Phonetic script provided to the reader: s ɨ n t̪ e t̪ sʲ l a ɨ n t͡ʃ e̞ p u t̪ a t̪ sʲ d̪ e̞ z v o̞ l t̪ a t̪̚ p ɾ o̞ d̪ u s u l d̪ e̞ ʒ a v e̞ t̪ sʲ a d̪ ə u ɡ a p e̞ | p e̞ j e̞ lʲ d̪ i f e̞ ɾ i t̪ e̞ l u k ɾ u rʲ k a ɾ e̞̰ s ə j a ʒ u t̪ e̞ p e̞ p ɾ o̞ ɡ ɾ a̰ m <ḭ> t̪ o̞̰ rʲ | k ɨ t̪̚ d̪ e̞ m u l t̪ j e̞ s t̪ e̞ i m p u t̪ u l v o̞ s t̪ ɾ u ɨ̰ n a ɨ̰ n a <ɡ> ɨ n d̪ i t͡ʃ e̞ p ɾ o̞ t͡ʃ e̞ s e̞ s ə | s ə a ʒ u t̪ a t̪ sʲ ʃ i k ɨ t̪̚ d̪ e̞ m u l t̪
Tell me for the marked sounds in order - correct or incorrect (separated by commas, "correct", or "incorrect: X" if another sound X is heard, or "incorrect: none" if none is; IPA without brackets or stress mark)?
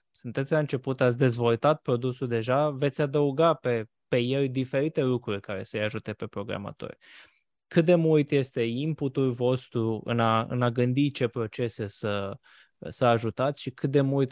incorrect: a̰, correct